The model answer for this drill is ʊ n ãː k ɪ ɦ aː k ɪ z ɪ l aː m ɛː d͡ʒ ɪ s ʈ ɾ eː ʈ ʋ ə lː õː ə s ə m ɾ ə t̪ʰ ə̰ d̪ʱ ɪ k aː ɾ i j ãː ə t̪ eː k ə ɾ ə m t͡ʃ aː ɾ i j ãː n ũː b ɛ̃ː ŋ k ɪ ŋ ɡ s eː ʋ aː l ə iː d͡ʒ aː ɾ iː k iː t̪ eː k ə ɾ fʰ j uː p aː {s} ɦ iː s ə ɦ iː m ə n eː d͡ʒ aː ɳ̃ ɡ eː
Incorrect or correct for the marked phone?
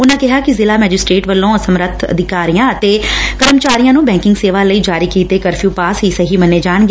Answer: correct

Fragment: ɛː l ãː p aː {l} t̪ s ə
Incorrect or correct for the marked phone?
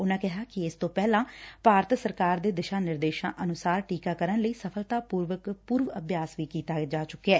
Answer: incorrect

